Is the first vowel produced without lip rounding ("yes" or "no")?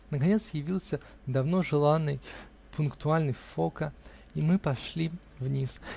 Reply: yes